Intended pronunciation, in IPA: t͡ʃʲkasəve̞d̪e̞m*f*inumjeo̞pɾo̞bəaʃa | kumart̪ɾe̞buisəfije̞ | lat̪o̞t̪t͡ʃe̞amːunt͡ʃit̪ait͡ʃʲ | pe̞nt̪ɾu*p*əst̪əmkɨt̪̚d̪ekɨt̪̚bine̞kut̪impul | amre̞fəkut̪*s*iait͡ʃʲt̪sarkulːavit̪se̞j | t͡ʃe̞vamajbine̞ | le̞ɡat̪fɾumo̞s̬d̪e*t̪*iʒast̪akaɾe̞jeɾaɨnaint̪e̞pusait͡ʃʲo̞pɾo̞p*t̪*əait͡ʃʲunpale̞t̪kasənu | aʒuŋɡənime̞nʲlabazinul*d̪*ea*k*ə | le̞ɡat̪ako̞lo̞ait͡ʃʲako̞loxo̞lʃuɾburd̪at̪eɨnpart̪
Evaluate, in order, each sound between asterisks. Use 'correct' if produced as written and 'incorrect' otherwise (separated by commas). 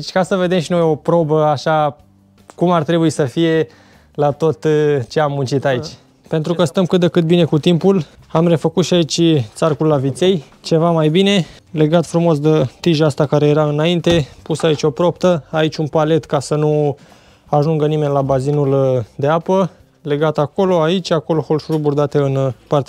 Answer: incorrect, incorrect, incorrect, correct, correct, correct, incorrect